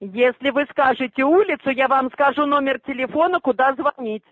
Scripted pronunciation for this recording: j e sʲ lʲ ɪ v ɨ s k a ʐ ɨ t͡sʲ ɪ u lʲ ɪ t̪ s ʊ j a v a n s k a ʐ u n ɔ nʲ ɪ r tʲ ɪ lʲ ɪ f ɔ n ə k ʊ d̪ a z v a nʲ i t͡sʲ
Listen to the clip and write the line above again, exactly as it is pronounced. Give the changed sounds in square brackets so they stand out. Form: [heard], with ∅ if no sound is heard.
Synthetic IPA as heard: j e sʲ lʲ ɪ v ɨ s k a ʐ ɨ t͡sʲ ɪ u lʲ ɪ t̪ s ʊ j a v a [m] s k a ʐ u n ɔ [mʲ] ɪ r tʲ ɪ lʲ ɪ f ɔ n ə k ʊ d̪ a z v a nʲ i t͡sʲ